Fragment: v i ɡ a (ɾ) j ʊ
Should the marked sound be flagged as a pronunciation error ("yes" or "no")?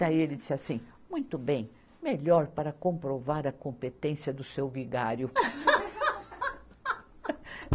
no